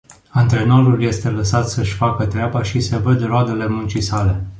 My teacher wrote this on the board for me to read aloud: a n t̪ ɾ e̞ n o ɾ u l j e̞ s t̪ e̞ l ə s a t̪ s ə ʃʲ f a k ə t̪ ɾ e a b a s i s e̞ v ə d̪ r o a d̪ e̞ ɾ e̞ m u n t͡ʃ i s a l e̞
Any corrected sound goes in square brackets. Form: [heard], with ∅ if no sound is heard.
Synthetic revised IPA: a n t̪ ɾ e̞ n o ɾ u l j e̞ s t̪ e̞ l ə s a t̪ s ə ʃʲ f a k ə t̪ ɾ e a b a [ʃ] i s e̞ v ə d̪ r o a d̪ e̞ [l] e̞ m u n t͡ʃ i s a l e̞